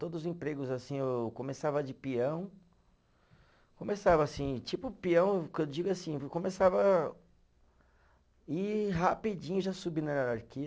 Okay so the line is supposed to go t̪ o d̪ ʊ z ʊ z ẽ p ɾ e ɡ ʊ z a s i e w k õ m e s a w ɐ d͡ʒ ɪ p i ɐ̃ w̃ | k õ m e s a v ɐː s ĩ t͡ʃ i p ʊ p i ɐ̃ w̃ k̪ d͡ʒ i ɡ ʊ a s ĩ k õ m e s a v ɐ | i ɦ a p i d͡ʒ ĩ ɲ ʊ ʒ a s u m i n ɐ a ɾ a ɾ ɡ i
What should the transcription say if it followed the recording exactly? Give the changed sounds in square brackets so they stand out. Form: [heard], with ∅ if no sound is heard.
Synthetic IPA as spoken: t̪ o d̪ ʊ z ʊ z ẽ p ɾ e ɡ ʊ z a s [ĩ] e w k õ m e s a [v] ɐ d͡ʒ ɪ p i ɐ̃ w̃ | k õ m e s a v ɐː s ĩ t͡ʃ i p ʊ p i ɐ̃ w̃ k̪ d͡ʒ i ɡ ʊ a s ĩ k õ m e s a v ɐ | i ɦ a p i d͡ʒ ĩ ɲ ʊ ʒ a s u [b] i n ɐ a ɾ a ɾ [k] i